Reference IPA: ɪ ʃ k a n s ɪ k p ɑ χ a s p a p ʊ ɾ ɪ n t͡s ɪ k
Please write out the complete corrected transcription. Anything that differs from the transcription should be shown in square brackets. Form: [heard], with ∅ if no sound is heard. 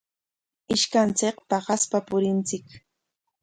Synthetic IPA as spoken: ɪ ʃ k a n [t͡s] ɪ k p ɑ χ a s p a p ʊ ɾ ɪ n t͡s ɪ k